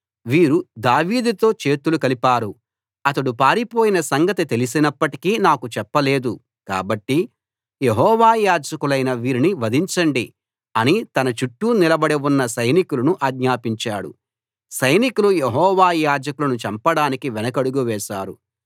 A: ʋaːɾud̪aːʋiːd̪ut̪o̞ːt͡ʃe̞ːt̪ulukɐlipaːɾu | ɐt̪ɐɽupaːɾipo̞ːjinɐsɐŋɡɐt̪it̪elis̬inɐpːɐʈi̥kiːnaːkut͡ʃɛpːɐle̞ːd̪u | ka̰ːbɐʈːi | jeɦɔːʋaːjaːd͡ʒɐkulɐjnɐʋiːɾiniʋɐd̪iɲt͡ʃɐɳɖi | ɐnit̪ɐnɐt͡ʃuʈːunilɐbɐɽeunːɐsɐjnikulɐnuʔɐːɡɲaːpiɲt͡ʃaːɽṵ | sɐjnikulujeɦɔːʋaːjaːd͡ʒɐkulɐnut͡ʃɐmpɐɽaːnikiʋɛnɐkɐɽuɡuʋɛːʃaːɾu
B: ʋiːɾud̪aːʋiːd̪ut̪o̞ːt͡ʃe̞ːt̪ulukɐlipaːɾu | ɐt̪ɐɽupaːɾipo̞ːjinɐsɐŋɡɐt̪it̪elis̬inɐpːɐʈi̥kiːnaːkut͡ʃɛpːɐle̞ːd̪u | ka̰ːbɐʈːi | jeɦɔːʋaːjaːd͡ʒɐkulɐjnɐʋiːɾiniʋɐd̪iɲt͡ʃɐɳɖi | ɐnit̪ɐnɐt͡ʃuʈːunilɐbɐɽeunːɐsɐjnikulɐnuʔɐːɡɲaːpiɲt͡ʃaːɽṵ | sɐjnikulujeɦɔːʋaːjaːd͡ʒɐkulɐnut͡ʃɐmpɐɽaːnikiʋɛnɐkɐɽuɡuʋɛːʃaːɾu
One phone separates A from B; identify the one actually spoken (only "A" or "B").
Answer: B